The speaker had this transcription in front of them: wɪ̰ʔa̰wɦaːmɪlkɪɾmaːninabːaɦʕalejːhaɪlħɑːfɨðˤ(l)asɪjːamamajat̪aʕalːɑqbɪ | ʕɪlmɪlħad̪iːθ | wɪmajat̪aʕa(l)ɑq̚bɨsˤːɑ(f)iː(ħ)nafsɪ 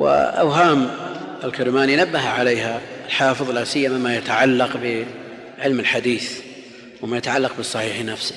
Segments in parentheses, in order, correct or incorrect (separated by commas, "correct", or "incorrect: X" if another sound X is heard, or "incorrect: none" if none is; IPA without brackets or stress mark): correct, incorrect: lː, incorrect: ħ, correct